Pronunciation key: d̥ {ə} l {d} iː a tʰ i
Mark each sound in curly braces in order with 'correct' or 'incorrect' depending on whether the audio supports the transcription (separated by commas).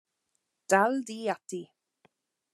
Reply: incorrect, correct